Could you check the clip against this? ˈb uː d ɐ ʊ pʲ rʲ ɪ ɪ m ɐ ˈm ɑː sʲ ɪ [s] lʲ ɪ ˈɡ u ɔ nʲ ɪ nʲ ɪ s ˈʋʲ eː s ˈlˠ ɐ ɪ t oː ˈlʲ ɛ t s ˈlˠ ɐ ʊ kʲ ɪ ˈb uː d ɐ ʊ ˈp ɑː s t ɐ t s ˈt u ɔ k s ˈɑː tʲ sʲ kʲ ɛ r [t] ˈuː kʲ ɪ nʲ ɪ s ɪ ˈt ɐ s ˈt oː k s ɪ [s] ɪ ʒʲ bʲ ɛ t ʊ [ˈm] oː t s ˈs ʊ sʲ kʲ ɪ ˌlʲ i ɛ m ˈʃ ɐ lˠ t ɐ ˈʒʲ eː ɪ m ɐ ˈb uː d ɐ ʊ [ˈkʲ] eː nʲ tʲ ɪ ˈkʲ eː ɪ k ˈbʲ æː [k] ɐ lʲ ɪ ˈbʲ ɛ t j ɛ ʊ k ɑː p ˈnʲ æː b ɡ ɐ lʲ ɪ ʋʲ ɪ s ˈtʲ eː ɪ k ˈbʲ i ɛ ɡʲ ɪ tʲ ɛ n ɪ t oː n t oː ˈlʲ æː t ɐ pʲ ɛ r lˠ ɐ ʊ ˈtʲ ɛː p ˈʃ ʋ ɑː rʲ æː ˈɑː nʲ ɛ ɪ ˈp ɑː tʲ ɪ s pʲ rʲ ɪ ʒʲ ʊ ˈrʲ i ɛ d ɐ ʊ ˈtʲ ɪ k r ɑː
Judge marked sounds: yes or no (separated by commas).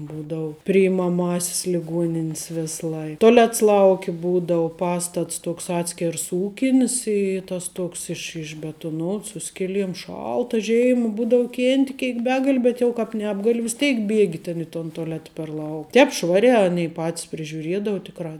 yes, no, no, no, yes, no